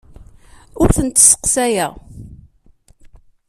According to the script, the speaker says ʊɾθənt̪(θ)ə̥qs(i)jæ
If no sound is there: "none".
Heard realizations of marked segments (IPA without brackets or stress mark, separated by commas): s, æ